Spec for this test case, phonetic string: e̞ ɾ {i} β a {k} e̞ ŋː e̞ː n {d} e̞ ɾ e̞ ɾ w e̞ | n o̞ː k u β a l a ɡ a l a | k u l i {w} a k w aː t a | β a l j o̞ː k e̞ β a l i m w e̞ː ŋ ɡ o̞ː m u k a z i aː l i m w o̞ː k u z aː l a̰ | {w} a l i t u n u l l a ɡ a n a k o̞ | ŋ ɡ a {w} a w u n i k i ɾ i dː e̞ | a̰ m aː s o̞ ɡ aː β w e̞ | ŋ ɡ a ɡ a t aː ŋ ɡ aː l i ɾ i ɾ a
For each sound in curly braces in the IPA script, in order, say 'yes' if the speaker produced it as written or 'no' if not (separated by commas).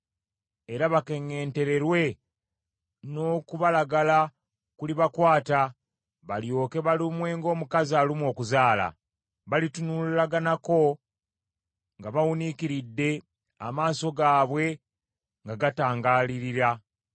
no, yes, no, no, no, no